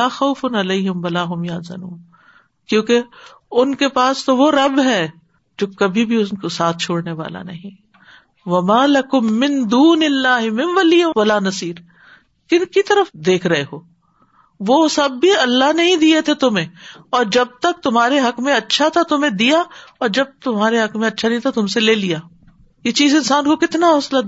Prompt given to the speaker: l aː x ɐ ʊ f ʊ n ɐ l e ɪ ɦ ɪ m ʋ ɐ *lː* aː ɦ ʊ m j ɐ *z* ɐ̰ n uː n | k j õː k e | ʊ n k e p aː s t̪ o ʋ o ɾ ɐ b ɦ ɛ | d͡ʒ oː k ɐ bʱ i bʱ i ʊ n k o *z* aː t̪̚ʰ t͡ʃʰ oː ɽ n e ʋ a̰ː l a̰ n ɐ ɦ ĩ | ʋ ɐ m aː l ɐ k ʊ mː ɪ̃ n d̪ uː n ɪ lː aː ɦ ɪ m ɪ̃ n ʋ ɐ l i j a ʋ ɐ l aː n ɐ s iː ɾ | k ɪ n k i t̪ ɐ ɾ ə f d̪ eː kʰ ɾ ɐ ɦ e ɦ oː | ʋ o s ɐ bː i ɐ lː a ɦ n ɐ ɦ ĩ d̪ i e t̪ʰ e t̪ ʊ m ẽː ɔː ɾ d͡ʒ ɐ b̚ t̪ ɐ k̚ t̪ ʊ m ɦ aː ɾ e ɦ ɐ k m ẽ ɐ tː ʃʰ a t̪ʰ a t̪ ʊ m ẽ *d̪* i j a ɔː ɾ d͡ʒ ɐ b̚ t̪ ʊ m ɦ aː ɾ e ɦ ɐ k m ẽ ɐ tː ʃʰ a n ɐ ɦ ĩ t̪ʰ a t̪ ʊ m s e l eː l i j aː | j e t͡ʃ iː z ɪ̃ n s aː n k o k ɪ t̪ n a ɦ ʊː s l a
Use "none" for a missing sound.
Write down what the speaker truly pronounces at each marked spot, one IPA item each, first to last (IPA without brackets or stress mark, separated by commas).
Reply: l, z, s, d̪